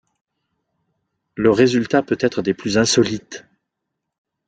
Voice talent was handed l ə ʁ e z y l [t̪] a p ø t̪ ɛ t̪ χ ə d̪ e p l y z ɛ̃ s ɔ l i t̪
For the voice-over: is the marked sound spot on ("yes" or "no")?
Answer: yes